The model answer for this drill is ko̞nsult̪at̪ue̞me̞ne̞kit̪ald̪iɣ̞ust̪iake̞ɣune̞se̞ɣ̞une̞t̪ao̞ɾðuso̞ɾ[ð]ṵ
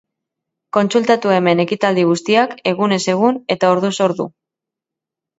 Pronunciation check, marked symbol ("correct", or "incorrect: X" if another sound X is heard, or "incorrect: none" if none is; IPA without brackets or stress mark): correct